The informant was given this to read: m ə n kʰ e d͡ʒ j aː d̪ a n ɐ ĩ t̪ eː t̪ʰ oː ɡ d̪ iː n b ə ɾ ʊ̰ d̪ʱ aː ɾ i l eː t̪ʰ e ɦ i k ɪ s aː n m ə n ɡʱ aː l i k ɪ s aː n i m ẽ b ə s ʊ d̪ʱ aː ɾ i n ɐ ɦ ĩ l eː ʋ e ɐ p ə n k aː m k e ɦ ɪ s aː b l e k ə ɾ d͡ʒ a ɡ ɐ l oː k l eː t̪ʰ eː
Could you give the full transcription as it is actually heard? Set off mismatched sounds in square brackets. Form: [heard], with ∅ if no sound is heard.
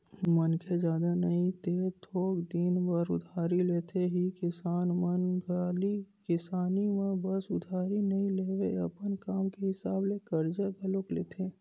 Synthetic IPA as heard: m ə n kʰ e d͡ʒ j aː d̪ a n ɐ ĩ t̪ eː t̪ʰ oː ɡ d̪ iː n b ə ɾ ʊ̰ d̪ʱ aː ɾ i l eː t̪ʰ e ɦ i k ɪ s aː n m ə n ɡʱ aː l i k ɪ s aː n i m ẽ b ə s ʊ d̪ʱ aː ɾ i n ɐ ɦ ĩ l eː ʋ e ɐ p ə n k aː m k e ɦ ɪ s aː b l e k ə ɾ d͡ʒ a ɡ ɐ l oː k l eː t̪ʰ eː